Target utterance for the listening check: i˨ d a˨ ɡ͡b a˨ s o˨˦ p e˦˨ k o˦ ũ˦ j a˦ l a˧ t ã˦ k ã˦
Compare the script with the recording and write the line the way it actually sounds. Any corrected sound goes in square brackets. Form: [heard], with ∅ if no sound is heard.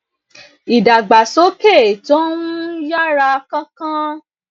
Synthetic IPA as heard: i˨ d a˨ ɡ͡b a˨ s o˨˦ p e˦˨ [t] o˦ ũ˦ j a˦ [ɾ] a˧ [k] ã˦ k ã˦